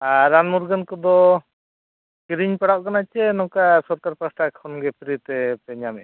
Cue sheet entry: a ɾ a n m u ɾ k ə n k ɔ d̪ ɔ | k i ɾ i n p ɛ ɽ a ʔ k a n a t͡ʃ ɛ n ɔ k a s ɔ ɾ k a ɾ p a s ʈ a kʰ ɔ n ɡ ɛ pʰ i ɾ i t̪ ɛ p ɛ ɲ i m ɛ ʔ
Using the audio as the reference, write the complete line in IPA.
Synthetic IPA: a ɾ a n m u ɾ ɡ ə n k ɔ d̪ ɔ | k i ɾ i ɲ p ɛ ɽ a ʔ k a n a t͡ʃ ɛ n ɔ k a s ɔ ɾ k a ɾ p a s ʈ a kʰ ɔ n ɡ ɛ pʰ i ɾ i t̪ ɛ p ɛ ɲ a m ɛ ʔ